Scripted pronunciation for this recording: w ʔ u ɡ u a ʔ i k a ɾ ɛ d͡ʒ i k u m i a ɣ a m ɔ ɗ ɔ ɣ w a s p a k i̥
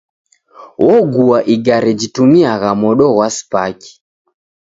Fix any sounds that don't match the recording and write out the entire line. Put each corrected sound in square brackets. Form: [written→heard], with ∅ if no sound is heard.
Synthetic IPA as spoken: w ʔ [u→ɔ] ɡ u a ʔ i [k→ɡ] a ɾ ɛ d͡ʒ i [k→t] u m i a ɣ a m ɔ ɗ ɔ ɣ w a s p a k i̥